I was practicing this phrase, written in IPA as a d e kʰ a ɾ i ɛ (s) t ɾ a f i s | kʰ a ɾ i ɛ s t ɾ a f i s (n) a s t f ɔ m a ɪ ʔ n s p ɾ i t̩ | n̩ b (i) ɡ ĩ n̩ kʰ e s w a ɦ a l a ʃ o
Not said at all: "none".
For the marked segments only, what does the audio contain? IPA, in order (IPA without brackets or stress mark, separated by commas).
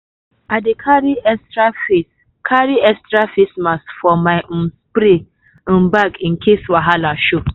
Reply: s, m, a